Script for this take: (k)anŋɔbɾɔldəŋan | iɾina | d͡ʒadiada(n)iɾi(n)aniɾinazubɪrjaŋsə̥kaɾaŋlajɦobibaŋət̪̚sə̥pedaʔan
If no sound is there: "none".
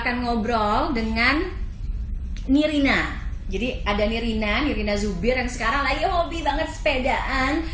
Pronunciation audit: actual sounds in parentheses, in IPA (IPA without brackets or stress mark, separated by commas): k, n, n